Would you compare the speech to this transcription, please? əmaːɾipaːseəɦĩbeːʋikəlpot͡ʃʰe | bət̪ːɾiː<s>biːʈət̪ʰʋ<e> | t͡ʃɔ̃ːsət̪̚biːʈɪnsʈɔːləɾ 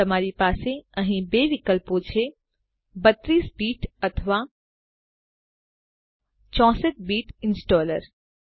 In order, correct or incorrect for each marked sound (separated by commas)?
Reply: correct, incorrect